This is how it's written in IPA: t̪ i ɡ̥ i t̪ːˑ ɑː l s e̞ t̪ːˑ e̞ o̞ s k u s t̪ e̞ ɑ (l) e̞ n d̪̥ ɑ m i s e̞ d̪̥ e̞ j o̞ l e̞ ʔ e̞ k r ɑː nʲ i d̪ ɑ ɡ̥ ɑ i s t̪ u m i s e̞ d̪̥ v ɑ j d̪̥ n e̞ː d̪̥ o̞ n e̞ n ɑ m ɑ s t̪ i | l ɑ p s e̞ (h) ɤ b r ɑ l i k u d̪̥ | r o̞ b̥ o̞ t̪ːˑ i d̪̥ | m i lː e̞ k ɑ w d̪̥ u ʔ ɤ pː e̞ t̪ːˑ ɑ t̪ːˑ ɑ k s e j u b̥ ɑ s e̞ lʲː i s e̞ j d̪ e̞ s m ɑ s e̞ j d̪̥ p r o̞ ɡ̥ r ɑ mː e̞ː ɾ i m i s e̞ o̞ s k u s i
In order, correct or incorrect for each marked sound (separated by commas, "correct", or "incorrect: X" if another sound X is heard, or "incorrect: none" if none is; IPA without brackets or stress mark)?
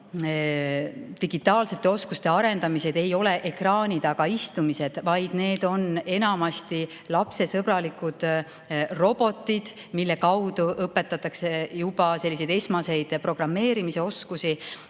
incorrect: ɾ, incorrect: s